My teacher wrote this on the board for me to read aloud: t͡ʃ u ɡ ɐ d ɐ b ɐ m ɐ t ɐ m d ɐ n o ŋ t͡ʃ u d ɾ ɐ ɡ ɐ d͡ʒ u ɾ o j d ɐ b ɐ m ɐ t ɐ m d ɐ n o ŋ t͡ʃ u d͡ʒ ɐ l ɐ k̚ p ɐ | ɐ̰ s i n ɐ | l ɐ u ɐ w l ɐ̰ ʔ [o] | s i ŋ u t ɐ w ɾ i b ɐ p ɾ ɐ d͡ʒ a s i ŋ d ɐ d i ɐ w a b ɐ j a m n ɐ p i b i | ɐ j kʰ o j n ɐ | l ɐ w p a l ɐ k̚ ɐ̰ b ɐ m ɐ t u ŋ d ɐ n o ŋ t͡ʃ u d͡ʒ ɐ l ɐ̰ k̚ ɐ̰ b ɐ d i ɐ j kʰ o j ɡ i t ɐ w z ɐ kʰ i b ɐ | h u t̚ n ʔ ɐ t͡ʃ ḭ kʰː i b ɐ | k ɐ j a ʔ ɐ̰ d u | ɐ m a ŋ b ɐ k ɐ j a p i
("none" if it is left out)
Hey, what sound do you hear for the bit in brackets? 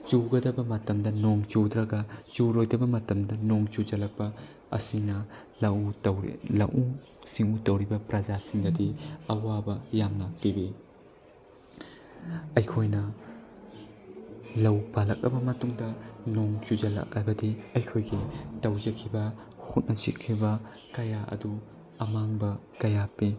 u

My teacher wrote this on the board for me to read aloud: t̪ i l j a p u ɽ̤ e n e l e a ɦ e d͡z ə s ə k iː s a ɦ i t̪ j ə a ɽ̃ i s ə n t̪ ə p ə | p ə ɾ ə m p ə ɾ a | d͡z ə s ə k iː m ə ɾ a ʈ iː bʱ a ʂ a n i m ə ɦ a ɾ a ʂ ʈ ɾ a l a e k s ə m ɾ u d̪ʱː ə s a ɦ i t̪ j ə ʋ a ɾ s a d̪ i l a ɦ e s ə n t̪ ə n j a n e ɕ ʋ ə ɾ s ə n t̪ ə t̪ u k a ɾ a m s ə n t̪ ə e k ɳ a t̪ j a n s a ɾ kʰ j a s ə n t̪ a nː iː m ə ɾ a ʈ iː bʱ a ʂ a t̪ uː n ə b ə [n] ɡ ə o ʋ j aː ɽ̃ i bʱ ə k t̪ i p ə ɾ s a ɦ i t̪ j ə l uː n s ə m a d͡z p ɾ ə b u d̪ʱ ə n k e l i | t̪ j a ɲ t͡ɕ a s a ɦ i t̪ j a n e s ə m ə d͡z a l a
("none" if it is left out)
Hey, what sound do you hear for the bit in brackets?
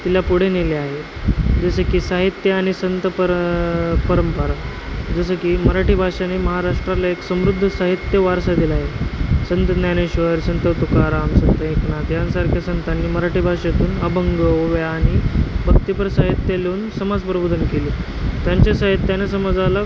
ŋ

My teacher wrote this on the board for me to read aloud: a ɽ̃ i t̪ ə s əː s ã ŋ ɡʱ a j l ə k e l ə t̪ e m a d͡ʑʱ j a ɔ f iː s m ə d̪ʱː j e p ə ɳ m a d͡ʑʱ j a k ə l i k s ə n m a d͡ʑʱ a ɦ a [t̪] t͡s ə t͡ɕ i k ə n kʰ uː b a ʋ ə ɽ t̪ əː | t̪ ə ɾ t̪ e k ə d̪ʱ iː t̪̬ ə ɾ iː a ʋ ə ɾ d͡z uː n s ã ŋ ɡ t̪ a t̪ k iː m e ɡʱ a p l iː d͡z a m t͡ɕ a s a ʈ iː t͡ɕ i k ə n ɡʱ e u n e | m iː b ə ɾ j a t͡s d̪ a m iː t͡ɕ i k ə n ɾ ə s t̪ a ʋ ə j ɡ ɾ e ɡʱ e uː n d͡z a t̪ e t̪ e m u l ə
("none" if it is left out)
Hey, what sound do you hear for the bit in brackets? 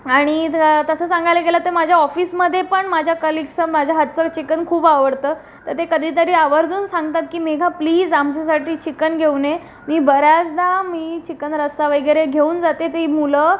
t̪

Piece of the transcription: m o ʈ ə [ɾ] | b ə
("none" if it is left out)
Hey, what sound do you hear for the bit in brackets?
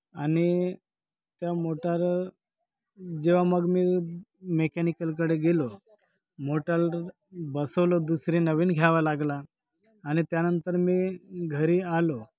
l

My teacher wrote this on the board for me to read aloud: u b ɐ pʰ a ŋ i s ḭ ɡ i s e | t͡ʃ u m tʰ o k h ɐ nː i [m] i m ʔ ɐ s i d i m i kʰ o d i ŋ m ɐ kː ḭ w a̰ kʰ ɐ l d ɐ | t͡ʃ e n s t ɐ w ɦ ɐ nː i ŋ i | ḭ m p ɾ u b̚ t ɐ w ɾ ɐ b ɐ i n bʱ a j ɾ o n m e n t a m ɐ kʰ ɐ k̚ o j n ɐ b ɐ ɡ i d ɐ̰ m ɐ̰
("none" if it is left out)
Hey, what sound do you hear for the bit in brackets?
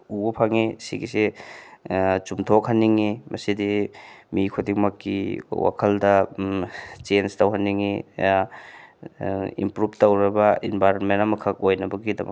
ŋ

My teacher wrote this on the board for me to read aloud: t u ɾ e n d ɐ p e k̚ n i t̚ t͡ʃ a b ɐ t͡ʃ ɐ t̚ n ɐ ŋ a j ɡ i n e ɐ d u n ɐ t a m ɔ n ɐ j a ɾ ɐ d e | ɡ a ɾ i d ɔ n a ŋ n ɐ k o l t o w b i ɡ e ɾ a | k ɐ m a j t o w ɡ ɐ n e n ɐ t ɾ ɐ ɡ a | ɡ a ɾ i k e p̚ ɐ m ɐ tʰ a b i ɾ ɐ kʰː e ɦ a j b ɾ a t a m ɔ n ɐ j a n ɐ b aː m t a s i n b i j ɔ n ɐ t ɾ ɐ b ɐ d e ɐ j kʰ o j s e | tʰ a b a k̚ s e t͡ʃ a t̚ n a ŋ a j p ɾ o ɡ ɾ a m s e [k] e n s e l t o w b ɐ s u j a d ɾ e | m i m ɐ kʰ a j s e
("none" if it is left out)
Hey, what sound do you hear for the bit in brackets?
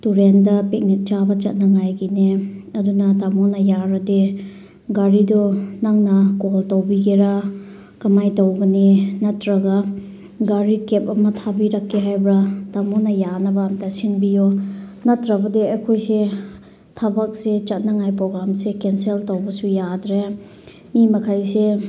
k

